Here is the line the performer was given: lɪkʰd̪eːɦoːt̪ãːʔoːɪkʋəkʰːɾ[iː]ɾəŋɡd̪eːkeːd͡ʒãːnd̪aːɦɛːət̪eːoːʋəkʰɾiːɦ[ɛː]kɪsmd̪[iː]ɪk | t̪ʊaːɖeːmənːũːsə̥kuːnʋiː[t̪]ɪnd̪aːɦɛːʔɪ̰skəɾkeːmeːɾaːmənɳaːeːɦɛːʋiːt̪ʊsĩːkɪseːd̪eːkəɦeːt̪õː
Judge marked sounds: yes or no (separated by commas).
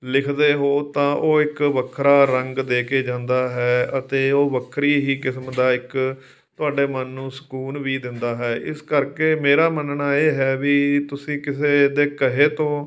no, no, no, no